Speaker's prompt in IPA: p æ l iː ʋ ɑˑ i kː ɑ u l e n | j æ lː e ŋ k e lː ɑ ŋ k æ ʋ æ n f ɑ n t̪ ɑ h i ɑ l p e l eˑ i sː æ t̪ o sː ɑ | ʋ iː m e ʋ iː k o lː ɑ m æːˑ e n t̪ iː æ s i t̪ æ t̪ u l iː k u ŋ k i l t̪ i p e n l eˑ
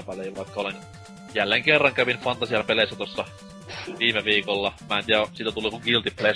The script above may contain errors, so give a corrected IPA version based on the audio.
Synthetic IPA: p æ l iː ʋ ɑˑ i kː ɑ o l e n | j æ lː e ŋ k e rː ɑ ŋ k æ ʋ i n f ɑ n t̪ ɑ s i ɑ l p e l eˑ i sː æ t̪ o sː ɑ | ʋ iː m e ʋ iː k o lː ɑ m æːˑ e n t̪ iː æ s i t̪ æ t̪ u l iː k u ŋ k i l t̪ i p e l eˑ